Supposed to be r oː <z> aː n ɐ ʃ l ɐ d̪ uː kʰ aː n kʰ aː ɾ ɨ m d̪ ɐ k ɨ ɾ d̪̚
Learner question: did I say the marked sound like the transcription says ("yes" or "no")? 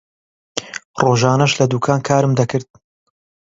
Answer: no